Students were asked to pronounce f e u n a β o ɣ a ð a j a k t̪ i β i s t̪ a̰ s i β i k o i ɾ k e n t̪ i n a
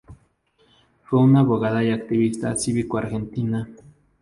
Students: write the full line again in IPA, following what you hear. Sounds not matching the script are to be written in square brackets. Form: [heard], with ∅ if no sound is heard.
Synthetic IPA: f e u n a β o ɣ a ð a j a k t̪ i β i s t̪ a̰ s i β i k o [a] ɾ [x] e n t̪ i n a

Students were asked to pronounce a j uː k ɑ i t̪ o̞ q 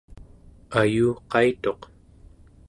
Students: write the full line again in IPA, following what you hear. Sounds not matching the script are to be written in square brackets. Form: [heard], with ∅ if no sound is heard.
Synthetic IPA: a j uː [q] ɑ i t̪ o̞ q

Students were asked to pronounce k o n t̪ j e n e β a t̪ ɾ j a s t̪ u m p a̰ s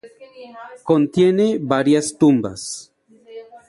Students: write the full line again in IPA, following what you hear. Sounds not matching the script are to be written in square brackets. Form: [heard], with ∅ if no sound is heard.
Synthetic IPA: k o n t̪ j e n e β a [∅] ɾ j a s t̪ u m [b] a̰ s

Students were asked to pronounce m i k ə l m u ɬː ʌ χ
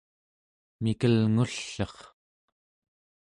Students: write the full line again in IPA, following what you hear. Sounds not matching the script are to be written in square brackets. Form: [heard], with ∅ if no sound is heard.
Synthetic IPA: m i k ə l [ŋ] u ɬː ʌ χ

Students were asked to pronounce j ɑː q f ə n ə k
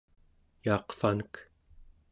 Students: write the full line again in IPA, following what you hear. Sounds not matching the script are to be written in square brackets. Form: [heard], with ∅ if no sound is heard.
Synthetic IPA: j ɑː q f [a] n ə k

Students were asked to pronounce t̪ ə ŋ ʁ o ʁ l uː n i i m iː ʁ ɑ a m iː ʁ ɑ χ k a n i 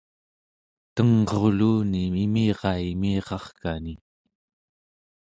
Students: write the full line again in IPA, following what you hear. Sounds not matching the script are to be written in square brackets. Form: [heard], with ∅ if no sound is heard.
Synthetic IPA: t̪ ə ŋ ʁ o ʁ l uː n i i m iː ʁ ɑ [i] m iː ʁ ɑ χ k a n i

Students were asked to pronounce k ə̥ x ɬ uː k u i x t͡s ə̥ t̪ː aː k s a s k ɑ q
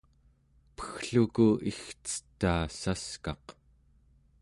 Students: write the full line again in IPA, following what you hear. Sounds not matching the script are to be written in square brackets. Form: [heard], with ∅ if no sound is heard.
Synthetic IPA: [p] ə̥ x ɬ [u] k u i x t͡s ə̥ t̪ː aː [∅] s a s k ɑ q

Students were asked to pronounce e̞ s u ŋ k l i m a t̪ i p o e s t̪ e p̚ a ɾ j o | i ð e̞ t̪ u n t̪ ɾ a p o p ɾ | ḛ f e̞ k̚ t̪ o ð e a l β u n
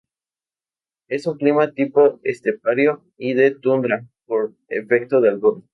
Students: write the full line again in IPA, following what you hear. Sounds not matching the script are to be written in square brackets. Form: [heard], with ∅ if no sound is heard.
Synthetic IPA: e̞ s u ŋ k l i m a t̪ i p o e s t̪ e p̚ a ɾ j o | i ð e̞ t̪ u n [d̪] ɾ a p o [∅] ɾ | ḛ f e̞ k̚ t̪ o ð e a l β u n

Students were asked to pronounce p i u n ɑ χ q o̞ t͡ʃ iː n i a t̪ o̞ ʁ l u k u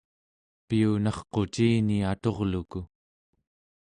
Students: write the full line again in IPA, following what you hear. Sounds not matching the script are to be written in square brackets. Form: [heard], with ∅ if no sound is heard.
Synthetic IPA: p i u n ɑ χ q o̞ t͡ʃ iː n i a t̪ o̞ ʁ l u k u

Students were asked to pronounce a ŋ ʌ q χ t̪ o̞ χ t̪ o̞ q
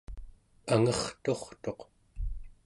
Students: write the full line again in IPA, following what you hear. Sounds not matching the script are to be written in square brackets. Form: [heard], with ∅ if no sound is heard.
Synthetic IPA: a ŋ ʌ [∅] χ t̪ o̞ χ t̪ o̞ q

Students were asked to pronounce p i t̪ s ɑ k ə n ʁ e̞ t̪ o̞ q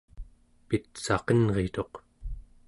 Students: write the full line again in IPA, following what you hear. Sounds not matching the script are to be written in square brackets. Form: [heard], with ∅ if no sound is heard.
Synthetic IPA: p i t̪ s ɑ [q] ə n ʁ e̞ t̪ o̞ q

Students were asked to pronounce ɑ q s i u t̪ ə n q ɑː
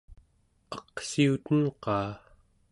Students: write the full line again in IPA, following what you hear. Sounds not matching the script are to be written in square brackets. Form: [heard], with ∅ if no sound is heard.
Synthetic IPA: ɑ q s i u t̪ ə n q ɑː

